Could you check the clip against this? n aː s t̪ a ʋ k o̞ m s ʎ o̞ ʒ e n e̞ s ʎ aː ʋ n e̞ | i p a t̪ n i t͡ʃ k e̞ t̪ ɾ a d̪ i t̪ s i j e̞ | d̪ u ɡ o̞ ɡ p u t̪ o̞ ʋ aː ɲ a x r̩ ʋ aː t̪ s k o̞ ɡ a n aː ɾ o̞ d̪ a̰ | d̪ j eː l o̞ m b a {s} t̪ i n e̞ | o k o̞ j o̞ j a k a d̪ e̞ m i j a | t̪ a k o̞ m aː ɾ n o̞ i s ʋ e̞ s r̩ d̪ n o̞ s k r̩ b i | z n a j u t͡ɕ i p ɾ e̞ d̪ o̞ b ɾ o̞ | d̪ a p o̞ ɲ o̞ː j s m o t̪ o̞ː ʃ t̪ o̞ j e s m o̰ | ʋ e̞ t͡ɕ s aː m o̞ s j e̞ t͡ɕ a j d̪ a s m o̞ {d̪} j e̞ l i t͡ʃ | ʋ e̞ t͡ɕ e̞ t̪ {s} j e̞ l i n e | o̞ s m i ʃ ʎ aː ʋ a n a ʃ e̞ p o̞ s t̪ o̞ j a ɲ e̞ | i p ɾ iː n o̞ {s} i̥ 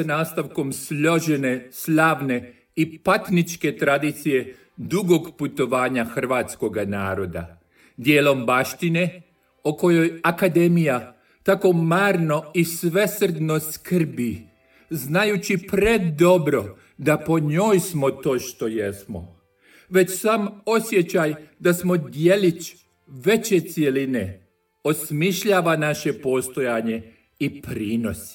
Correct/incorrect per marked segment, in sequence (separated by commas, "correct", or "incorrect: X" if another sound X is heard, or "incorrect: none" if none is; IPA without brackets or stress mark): incorrect: ʃ, correct, correct, correct